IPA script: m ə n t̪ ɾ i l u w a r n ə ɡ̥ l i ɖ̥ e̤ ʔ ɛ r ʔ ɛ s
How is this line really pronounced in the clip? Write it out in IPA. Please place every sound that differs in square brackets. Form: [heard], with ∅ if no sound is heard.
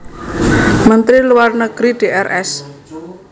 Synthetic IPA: m ə n t̪ ɾ i l u w a r n ə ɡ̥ [ɾ] i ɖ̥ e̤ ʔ ɛ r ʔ ɛ s